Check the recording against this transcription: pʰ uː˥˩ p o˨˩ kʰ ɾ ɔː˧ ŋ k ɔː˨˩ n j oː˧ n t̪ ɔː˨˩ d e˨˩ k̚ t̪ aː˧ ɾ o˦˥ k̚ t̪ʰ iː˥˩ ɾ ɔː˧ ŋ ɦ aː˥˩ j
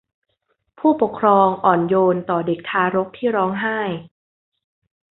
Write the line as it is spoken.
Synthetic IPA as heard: pʰ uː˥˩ p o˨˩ kʰ ɾ ɔː˧ ŋ ʔ ɔː˨˩ n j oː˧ n t̪ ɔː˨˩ d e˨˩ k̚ t̪ʰ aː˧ ɾ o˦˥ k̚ t̪ʰ iː˥˩ ɾ ɔː˦˥ ŋ ɦ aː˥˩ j